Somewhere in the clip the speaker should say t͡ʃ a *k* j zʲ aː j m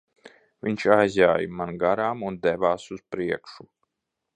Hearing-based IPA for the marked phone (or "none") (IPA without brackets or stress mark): none